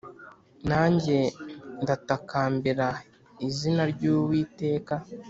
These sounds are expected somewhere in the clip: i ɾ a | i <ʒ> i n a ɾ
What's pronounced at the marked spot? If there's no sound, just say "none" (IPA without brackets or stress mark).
z